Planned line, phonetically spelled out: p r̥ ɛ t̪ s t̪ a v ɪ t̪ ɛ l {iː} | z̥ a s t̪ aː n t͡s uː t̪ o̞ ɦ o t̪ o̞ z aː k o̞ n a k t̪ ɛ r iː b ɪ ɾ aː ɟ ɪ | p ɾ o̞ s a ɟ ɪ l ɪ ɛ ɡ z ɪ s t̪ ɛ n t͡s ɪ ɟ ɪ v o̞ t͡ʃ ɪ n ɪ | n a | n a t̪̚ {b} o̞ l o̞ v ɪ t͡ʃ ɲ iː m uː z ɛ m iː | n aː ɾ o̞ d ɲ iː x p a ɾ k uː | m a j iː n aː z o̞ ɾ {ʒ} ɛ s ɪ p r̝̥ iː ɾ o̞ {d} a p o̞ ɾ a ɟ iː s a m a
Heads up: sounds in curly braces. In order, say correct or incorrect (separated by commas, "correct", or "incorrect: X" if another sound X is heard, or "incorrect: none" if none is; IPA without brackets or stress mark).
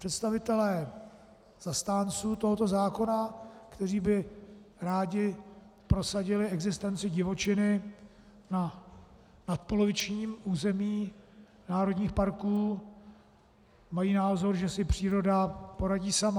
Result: incorrect: ɛː, incorrect: p, correct, correct